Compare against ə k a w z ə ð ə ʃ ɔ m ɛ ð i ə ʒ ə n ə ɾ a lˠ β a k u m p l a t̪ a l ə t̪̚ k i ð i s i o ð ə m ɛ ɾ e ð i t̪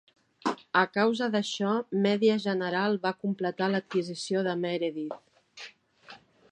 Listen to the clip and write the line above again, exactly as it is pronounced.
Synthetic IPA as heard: ə k a w z ə ð ə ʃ ɔ m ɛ ð i ə ʒ ə n ə ɾ a lˠ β a k u m p l ə t̪ a l ə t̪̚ k i z i s i o ð ə m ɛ ɾ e ð i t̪

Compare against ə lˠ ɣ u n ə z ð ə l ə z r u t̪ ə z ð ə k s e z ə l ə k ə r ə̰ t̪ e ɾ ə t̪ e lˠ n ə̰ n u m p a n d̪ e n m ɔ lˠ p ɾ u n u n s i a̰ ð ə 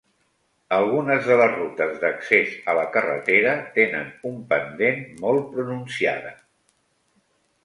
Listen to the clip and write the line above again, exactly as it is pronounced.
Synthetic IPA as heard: ə lˠ ɣ u n ə z ð ə l ə z r u t̪ ə z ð ə k s e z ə l ə k ə r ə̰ t̪ e ɾ ə t̪ e n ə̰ n u m p ə n d̪ e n m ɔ lˠ p ɾ u n u n s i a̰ ð ə

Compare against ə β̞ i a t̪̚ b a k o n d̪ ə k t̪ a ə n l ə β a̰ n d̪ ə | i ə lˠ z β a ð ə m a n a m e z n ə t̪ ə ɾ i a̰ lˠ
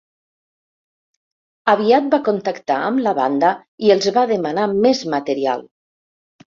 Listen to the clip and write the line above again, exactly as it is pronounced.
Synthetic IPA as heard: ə β̞ i a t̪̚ b a k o n t̪ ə k t̪ a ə m l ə β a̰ n d̪ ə | i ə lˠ z β a ð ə m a n a m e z m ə t̪ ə ɾ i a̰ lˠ

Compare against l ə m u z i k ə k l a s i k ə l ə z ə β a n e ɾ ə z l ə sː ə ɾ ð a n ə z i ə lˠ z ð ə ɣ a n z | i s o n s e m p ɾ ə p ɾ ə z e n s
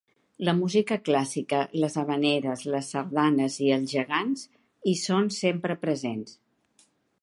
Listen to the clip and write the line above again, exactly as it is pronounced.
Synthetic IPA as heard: l ə m u z i k ə k l a s i k ə l ə z ə β ə n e ɾ ə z l ə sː ə ɾ ð a n ə z i ə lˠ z ʒ ə ɣ a n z | i s o n s e m p ɾ ə p ɾ ə z e n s

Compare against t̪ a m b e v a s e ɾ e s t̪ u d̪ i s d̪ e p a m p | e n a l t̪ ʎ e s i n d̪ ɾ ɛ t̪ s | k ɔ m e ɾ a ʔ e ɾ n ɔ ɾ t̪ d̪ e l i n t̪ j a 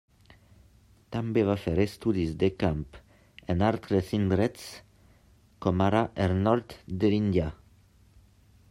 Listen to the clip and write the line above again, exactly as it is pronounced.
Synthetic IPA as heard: t̪ a m b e v a f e ɾ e s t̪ u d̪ i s d̪ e k a m p | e n a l t̪ ɾ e s i n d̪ ɾ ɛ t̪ s | k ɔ m a ɾ a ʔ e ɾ n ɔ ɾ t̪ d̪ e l i n d̪ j a

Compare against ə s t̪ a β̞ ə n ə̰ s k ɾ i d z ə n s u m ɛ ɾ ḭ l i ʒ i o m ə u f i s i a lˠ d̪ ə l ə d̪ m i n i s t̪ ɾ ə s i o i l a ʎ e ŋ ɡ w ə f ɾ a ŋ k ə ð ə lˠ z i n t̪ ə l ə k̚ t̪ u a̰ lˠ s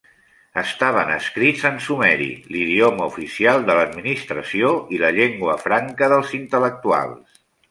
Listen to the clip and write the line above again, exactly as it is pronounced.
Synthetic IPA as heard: ə s t̪ a β̞ ə n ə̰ s k ɾ i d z ə n s u m ɛ ɾ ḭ l i ð i o m ə u f i s i a lˠ d̪ ə l ə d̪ m i n i s t̪ ɾ ə s i o i l ə ʎ e ŋ ɡ w ə f ɾ a ŋ k ə ð ə lˠ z i n t̪ ə l ə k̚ t̪ u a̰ lˠ s

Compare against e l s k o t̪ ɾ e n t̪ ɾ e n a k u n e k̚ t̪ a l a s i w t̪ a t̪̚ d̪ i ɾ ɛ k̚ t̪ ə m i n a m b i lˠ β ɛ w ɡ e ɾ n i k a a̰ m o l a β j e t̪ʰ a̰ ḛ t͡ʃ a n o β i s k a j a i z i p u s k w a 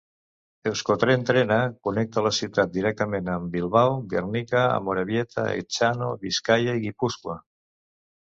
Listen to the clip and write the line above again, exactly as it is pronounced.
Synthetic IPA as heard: e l s k o t̪ ɾ e n t̪ ɾ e n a k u n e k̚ t̪ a l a s i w t̪ a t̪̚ d̪ i ɾ ɛ k̚ t̪ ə m e n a m b i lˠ β a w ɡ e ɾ n i k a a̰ m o ɾ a β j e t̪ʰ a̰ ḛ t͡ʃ a n o β i s k a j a i ɣ i p u s k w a

